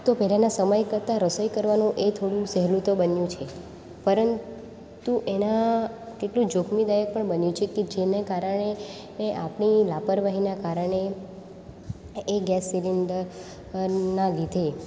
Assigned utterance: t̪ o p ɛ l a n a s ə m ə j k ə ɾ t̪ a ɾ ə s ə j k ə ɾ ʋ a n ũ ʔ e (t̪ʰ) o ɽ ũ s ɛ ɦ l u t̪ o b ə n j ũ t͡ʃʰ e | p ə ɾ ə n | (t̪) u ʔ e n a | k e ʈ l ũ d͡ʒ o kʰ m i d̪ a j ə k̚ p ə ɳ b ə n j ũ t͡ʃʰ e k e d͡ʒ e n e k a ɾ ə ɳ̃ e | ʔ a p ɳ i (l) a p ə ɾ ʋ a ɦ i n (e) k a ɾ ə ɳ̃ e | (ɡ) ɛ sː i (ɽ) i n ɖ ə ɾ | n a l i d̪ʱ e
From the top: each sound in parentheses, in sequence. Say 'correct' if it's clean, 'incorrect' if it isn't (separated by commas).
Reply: correct, correct, correct, incorrect, correct, incorrect